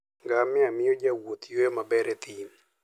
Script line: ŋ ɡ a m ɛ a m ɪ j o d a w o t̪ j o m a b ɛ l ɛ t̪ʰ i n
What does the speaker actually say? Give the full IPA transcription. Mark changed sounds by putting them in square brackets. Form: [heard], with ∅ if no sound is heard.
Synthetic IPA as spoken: ŋ ɡ a m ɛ a m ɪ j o [d͡ʒ] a w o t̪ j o m a b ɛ [ɾ] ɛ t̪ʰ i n